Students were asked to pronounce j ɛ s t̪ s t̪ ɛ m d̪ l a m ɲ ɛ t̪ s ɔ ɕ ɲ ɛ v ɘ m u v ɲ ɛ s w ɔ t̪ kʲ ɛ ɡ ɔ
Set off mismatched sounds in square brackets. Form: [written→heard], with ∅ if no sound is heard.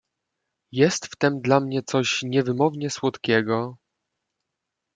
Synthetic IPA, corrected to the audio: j ɛ s t̪ [s→f] t̪ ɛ m d̪ l a m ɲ ɛ t̪ s ɔ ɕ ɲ ɛ v ɘ m [u→ɔ] v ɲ ɛ s w ɔ t̪ kʲ ɛ ɡ ɔ